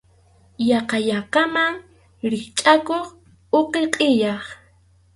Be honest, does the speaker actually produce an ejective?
yes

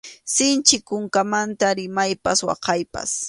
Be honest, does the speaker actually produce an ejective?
no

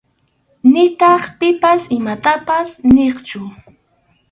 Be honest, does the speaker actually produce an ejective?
no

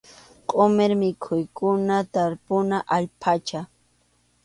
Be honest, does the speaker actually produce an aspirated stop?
yes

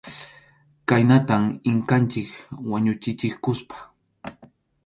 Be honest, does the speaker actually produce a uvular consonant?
no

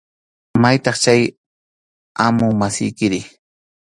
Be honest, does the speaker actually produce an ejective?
no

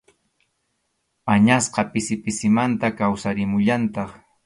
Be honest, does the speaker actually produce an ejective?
no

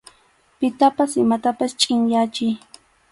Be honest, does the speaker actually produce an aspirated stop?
no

